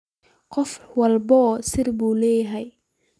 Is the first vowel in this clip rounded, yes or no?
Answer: yes